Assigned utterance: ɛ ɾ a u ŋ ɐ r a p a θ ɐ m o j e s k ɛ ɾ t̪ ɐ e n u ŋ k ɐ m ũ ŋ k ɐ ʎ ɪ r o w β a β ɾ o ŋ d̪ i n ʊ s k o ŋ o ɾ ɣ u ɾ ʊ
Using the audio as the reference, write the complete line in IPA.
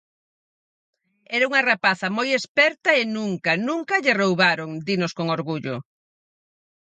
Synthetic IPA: ɛ ɾ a u ŋ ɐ r a p a θ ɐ m o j e s p ɛ ɾ t̪ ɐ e n u ŋ k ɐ n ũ ŋ k ɐ ʎ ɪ r o w β a ɾ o ŋ d̪ i n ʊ s k o ŋ o ɾ ɣ u ʎ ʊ